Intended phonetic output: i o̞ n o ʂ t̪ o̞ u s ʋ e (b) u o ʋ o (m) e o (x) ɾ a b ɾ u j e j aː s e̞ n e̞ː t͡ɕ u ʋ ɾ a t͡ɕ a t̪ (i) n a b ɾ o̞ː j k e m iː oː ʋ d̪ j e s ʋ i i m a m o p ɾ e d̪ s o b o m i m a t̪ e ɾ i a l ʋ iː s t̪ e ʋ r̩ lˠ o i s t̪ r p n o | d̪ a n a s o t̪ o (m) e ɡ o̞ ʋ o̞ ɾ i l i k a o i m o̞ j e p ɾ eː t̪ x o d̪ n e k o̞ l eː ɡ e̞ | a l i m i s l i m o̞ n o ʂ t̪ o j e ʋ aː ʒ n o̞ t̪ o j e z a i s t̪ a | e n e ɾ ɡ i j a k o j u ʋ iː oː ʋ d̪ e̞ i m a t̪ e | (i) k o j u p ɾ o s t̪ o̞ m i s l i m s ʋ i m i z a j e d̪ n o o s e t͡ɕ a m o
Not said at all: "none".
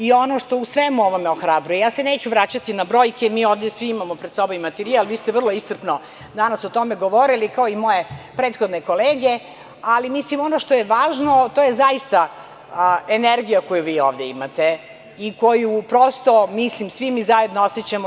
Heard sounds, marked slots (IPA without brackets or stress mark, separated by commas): m, m, x, i, m, i